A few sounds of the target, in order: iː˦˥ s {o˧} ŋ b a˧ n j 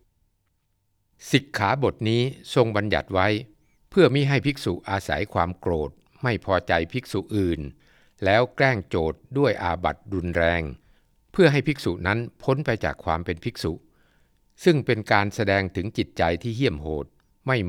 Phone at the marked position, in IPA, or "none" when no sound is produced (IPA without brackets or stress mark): o˧